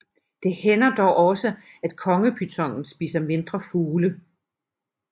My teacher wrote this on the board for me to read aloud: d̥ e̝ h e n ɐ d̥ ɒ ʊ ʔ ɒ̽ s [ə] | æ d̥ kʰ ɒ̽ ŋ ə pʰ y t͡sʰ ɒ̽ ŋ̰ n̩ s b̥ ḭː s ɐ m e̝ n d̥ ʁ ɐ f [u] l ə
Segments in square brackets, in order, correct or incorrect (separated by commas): correct, incorrect